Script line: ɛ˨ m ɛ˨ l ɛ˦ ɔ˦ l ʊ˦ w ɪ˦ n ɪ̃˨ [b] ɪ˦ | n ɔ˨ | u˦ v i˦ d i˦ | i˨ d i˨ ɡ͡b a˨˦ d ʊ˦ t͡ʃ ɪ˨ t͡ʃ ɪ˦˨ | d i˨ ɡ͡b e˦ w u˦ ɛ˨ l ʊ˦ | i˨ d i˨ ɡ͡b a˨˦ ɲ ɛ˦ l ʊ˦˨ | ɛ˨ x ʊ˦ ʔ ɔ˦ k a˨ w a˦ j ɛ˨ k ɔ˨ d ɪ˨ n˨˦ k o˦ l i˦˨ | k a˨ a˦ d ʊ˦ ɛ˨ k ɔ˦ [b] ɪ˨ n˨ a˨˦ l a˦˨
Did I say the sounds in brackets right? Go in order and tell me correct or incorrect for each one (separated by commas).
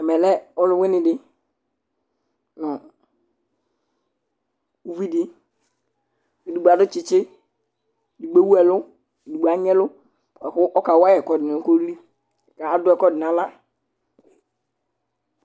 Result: incorrect, incorrect